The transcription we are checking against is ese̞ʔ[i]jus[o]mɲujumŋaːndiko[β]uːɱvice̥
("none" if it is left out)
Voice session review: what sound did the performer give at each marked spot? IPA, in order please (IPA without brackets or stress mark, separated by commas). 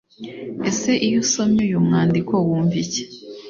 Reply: i, o, w